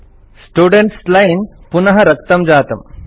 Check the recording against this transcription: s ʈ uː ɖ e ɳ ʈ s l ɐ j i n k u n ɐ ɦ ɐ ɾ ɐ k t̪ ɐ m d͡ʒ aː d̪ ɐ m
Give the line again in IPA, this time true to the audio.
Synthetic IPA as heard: s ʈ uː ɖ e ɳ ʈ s l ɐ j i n p u n ɐ ɦ ɐ ɾ ɐ k t̪ ɐ m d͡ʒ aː t̪ ɐ m